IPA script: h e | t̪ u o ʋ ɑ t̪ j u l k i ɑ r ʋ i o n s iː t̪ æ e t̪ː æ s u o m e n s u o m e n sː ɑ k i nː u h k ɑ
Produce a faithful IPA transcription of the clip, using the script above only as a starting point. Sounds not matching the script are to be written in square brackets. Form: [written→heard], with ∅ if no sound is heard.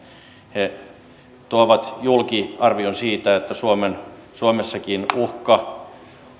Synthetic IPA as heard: h e | t̪ u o ʋ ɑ t̪ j u l k i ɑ r ʋ i o n s iː t̪ æ e t̪ː æ s u o m e n s u o m e [n→∅] sː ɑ k i [nː→n] u h k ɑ